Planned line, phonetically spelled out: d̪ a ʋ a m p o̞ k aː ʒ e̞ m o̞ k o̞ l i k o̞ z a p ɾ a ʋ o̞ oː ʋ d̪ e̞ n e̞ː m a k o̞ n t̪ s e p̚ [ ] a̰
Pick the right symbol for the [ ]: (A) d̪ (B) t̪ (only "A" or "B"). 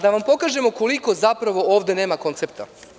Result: B